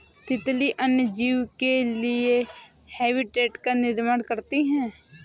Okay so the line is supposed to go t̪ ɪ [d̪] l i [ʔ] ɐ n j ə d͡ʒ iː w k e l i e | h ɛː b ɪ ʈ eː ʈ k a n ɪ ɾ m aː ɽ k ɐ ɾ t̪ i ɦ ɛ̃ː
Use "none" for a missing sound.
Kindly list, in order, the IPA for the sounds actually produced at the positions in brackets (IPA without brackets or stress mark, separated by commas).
t̪, ʔ